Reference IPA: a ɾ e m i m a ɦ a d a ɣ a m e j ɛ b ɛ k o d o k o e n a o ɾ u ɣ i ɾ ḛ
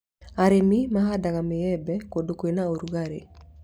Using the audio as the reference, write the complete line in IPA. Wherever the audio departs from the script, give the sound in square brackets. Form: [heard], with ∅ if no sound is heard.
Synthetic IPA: a ɾ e m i m a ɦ a d a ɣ a m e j ɛ b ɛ k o d o k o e n a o ɾ u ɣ [a] ɾ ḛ